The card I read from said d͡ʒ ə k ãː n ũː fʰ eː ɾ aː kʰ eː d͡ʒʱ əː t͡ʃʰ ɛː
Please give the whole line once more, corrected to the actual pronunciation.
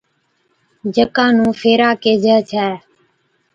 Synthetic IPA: d͡ʒ ə k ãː n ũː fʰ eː ɾ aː k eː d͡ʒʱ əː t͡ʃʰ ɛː